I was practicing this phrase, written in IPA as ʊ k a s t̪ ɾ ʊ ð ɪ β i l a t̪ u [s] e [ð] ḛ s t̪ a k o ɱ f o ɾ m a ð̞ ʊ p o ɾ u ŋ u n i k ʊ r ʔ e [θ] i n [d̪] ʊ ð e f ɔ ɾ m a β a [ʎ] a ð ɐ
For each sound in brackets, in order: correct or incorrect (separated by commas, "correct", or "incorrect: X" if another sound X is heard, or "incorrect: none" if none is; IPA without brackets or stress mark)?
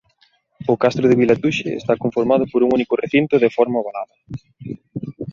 incorrect: ʃ, incorrect: none, correct, incorrect: t̪, incorrect: l